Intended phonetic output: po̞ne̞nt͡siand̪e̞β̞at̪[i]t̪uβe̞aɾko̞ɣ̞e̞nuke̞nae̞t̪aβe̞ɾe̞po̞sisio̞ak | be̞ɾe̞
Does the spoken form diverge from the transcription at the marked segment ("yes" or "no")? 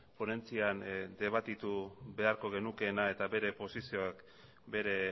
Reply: no